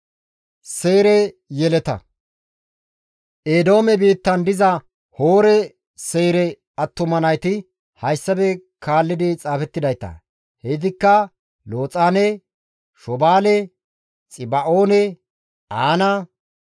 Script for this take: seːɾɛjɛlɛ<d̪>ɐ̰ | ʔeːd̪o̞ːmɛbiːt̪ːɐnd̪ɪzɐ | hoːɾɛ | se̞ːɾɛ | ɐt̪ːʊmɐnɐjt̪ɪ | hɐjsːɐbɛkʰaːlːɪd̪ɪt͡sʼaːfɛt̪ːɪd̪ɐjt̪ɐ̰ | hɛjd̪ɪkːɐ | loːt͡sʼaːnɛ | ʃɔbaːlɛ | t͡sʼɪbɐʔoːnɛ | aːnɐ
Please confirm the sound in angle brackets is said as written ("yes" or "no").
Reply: no